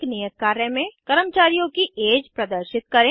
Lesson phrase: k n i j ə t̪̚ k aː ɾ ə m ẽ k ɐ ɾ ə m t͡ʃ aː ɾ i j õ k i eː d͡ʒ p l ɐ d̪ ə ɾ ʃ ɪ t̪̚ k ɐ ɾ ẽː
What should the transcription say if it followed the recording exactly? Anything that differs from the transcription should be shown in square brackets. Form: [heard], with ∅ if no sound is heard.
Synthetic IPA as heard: k n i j ə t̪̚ k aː ɾ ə m ẽ k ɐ ɾ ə m t͡ʃ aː ɾ i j õ k i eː d͡ʒ p [ɾ] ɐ d̪ ə ɾ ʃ ɪ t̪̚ k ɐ ɾ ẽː